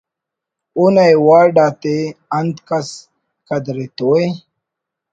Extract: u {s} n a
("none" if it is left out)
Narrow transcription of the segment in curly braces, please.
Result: none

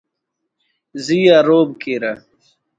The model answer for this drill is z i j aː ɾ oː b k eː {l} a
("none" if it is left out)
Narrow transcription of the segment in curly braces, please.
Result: ɾ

